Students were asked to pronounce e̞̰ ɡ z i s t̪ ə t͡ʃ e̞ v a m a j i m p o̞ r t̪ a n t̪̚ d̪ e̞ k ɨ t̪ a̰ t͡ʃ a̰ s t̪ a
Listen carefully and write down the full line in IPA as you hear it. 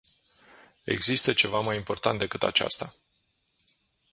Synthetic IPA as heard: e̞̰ ɡ z i s t̪ ə t͡ʃ e̞ v a m a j i m p o̞ r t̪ a n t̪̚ d̪ e̞ k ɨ t̪ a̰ t͡ʃ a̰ s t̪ a